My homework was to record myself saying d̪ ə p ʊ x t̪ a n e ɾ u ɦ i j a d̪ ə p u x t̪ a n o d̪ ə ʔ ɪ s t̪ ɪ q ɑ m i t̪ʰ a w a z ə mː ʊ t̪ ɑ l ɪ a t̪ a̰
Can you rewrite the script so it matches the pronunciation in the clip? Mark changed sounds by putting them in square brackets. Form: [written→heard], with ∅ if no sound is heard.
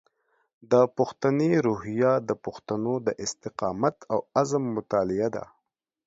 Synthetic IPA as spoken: d̪ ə p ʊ x t̪ a n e ɾ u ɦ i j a d̪ ə p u x t̪ a n o d̪ ə ʔ ɪ s t̪ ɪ q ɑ m [i→a] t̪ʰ a w a z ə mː ʊ t̪ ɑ l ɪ a [t̪→d̪] a̰